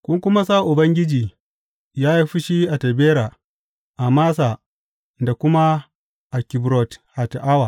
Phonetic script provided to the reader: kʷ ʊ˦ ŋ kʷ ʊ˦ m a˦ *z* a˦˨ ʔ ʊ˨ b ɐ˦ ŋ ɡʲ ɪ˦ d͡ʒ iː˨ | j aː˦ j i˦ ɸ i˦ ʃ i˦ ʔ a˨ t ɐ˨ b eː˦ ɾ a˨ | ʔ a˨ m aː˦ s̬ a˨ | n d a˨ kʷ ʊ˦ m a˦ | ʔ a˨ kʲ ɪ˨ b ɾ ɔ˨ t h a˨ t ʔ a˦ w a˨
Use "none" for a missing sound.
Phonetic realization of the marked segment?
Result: s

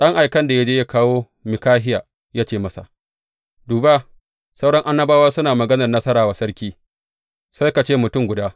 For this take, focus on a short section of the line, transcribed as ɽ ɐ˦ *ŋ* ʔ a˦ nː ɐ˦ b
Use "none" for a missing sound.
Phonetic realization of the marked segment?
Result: ŋ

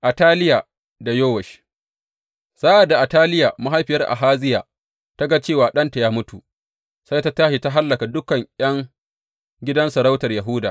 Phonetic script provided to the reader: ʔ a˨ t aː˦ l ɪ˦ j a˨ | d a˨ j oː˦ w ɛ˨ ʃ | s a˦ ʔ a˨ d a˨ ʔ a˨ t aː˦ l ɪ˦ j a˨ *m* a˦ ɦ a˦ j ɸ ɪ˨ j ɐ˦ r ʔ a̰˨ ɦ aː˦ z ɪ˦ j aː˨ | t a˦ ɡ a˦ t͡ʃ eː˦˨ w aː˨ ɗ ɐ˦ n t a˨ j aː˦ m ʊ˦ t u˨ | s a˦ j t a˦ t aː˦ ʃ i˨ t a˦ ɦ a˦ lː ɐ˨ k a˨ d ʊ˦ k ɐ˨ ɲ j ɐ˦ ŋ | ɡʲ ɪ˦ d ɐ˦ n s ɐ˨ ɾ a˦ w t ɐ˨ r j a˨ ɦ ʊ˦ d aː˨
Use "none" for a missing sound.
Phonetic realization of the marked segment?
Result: m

